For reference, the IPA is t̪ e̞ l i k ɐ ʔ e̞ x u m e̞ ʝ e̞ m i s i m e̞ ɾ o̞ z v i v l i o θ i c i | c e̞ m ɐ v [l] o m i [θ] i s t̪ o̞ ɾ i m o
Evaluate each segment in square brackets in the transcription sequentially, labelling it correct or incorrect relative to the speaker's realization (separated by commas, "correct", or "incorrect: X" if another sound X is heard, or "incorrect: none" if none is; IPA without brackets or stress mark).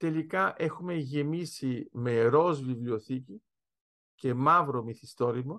incorrect: ɾ, correct